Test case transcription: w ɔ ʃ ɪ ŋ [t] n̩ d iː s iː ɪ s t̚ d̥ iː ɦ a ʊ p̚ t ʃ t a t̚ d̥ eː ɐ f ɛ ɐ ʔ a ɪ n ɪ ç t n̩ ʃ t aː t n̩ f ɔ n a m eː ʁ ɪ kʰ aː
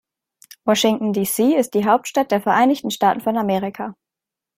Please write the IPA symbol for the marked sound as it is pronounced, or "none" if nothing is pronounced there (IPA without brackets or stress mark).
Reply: t